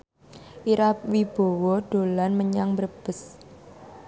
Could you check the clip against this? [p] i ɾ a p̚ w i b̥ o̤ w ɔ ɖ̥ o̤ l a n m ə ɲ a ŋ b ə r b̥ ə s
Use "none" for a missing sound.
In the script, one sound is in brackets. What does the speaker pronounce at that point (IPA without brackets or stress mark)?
ʔ